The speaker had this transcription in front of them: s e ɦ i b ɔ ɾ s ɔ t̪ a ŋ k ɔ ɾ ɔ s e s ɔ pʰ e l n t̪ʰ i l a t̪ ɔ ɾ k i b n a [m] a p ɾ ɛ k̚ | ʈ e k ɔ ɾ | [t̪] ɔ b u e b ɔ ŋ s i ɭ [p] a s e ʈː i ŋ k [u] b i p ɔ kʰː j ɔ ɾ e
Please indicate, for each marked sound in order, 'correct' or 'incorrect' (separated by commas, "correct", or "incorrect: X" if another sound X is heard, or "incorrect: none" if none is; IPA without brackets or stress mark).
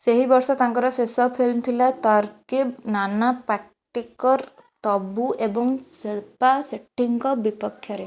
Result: incorrect: n, correct, correct, incorrect: ɔ